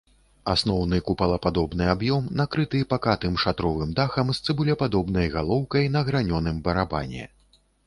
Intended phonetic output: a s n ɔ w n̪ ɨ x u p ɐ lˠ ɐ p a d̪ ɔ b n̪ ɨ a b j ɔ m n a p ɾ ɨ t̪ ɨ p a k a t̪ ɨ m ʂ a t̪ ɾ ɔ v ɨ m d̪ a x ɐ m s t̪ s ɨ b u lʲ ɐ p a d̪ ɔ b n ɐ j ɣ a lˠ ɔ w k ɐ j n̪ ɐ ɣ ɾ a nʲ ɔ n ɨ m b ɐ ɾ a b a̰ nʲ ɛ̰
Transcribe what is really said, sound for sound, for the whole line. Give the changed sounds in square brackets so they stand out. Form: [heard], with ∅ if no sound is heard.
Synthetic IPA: a s n ɔ w n̪ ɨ [k] u p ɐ lˠ ɐ p a d̪ ɔ b n̪ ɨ a b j ɔ m n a [k] ɾ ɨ t̪ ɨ p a k a t̪ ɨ m ʂ a t̪ ɾ ɔ v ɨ m d̪ a x ɐ m s t̪ s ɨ b u lʲ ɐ p a d̪ ɔ b n ɐ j ɣ a lˠ ɔ w k ɐ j n̪ ɐ ɣ ɾ a nʲ ɔ n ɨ m b ɐ ɾ a b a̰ nʲ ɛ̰